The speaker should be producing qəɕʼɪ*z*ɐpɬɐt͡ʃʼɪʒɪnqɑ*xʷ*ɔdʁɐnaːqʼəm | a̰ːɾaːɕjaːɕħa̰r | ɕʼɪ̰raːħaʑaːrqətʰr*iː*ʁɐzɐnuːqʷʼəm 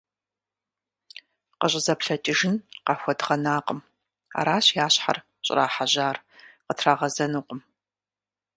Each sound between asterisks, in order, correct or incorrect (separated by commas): correct, correct, incorrect